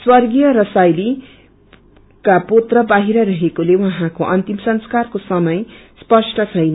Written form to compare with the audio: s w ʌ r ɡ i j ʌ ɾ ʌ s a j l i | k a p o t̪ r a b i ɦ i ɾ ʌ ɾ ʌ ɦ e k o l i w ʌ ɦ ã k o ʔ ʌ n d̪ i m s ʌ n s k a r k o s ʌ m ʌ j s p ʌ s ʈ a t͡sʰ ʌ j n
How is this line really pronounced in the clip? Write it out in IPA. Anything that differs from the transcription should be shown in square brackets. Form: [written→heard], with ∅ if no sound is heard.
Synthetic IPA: s w ʌ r ɡ i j ʌ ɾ ʌ s a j l i | k a p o t̪ r [a→ʌ] b [i→a] ɦ i ɾ ʌ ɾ ʌ ɦ e k o l [i→e] w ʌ ɦ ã k o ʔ ʌ n [d̪→t̪] i m s ʌ n s k a r k o s ʌ m ʌ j s p ʌ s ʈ [a→ʌ] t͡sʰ ʌ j n